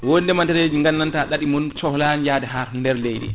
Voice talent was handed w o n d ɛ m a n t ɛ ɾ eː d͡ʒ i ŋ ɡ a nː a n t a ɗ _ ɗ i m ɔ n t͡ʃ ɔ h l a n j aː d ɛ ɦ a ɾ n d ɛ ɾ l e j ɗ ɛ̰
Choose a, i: a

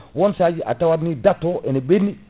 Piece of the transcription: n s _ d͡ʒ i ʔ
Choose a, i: a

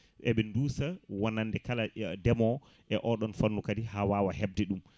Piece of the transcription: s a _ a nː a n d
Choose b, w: w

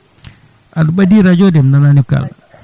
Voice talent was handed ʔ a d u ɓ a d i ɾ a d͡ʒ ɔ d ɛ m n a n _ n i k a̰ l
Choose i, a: a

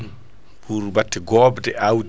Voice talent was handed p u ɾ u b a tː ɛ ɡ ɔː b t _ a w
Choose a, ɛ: ɛ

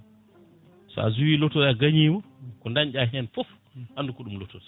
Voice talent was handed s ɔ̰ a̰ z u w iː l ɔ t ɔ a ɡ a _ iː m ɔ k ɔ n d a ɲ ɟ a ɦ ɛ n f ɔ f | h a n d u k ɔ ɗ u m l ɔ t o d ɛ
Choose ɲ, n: ɲ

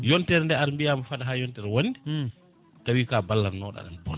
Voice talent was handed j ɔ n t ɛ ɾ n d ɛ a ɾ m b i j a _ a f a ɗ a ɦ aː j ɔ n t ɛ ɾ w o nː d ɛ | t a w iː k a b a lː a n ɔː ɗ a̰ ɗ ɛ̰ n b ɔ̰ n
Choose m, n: m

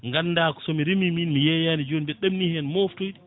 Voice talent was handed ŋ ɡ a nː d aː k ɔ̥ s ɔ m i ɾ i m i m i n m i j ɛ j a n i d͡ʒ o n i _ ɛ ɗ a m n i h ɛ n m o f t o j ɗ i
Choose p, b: b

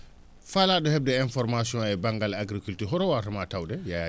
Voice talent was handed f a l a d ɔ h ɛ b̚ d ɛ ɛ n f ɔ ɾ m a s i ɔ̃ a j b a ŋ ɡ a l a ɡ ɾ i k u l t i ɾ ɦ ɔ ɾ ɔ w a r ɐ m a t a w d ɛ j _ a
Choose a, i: a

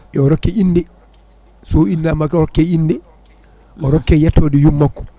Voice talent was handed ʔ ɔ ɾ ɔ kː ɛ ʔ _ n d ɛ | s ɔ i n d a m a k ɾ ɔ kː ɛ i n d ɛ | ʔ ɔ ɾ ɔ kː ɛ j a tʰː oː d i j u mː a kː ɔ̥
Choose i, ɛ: i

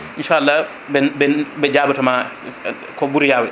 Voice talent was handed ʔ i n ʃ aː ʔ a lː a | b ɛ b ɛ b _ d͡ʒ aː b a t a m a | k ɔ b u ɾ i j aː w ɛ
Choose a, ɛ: ɛ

